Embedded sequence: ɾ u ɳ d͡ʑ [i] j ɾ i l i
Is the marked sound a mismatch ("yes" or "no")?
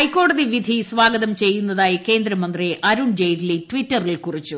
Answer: yes